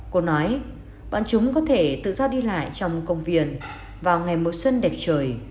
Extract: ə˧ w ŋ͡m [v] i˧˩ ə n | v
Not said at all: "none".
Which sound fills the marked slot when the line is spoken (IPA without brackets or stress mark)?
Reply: v